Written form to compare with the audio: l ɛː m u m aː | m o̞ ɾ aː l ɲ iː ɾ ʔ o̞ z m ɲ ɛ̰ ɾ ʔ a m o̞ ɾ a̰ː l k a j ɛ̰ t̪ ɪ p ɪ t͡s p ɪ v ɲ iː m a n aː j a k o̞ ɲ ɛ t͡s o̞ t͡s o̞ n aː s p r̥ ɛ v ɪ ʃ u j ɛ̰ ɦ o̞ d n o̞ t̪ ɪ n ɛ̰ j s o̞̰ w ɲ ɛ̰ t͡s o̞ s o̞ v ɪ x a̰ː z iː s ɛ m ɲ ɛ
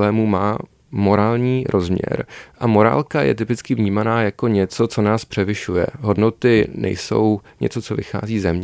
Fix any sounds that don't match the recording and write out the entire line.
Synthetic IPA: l ɛː m u m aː | m o̞ ɾ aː l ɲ iː ɾ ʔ o̞ z m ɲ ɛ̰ ɾ ʔ a m o̞ ɾ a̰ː l k a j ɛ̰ t̪ ɪ p ɪ t͡s k ɪ v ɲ iː m a n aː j a k o̞ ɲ ɛ t͡s o̞ t͡s o̞ n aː s p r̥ ɛ v ɪ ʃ u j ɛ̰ ɦ o̞ d n o̞ t̪ ɪ n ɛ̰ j s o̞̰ w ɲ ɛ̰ t͡s o̞ t͡s o̞ v ɪ x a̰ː z iː z ɛ m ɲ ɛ